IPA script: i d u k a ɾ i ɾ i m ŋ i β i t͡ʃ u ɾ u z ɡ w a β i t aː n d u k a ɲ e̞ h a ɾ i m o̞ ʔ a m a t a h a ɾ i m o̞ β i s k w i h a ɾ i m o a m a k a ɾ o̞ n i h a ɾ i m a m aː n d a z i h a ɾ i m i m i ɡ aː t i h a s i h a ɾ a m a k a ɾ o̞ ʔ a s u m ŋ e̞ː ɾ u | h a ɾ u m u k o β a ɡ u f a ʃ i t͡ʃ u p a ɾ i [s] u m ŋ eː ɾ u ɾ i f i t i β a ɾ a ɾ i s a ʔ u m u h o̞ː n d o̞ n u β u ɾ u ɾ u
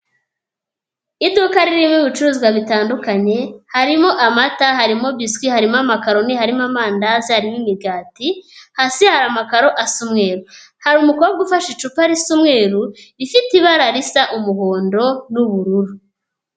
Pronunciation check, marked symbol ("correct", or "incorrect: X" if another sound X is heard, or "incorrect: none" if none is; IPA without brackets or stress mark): correct